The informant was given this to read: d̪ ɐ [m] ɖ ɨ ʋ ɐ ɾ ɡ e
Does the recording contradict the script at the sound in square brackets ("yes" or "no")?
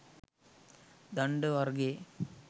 yes